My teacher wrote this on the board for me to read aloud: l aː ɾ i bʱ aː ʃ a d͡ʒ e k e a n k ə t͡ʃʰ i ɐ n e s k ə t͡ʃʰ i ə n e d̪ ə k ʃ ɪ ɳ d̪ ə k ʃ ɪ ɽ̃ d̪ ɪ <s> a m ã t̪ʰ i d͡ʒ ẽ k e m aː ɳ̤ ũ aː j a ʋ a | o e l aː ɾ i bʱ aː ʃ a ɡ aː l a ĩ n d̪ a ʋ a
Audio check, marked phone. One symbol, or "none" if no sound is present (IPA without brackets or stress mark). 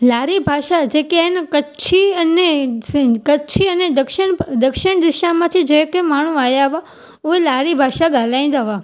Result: ʃ